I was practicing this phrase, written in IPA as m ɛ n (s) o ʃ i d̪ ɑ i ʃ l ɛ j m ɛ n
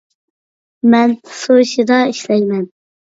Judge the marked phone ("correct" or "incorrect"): correct